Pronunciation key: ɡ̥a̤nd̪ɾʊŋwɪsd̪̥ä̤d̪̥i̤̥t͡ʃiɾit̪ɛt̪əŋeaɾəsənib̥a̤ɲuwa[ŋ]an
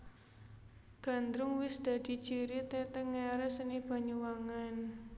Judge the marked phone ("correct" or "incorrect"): correct